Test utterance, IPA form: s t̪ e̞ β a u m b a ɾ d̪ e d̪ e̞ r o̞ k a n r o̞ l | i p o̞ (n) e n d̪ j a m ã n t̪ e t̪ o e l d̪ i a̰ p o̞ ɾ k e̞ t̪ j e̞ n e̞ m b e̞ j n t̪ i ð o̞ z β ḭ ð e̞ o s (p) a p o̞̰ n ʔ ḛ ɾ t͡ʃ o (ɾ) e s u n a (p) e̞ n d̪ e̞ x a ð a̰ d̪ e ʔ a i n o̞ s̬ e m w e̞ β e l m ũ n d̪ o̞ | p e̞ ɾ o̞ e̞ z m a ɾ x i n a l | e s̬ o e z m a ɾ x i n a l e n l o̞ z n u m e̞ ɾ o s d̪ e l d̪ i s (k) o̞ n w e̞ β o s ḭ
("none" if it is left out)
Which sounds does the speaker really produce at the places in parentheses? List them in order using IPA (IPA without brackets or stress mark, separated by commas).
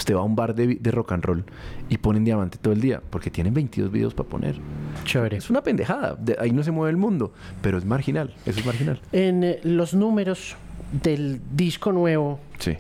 n, p, ɾ, p, k